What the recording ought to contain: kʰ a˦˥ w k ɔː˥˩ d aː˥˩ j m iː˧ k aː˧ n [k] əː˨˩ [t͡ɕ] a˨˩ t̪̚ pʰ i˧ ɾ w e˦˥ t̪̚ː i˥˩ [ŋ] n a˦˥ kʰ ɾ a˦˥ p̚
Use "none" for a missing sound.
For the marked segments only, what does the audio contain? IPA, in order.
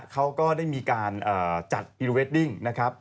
ʔ, t͡ɕ, ŋ

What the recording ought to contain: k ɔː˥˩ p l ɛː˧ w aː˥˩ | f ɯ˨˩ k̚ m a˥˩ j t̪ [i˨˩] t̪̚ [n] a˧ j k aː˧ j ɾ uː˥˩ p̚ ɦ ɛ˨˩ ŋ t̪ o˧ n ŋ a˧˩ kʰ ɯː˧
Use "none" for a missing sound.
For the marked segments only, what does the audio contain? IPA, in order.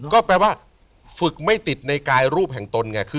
i˨˩, n

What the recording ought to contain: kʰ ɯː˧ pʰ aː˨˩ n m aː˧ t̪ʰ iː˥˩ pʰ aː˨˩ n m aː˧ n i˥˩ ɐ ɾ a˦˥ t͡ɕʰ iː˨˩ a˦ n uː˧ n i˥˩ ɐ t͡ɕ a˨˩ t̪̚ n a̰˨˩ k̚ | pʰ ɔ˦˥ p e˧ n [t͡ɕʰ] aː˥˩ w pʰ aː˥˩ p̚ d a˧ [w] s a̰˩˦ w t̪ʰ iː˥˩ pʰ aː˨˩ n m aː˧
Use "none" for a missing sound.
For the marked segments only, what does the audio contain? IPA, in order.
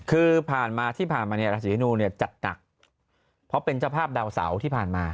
t͡ɕ, w

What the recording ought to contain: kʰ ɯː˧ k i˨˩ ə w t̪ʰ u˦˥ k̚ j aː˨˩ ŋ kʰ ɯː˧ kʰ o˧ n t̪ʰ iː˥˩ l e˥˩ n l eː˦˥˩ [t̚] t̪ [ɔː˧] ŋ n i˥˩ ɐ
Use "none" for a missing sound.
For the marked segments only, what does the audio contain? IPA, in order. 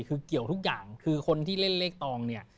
k̚, ɔː˧

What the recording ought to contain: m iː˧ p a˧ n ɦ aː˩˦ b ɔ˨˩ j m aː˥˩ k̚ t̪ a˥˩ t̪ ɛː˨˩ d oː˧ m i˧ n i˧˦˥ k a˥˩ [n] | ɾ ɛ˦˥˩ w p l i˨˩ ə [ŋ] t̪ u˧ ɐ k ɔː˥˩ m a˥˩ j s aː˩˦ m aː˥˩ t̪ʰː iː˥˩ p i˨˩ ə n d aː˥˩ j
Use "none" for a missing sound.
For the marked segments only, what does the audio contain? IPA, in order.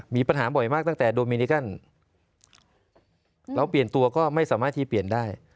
n, n

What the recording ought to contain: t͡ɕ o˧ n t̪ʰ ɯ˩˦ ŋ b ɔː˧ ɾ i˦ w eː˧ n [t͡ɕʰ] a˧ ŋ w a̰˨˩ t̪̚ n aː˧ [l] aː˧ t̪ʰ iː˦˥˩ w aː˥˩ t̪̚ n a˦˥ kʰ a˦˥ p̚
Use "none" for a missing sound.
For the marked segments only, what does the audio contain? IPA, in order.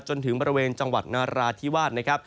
t͡ɕ, ɾ

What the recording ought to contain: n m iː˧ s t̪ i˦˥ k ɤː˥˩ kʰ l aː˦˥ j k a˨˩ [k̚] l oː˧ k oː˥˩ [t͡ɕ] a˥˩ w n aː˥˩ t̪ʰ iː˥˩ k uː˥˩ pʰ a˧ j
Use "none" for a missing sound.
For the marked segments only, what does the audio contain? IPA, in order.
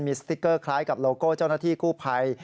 p̚, t͡ɕ

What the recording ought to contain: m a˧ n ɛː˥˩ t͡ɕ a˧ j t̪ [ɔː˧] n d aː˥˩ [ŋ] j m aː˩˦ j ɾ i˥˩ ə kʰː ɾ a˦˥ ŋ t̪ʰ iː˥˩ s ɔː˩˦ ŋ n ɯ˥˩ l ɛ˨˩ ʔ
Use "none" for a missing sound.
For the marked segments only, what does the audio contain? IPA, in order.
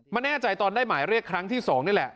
ɔː˧, none

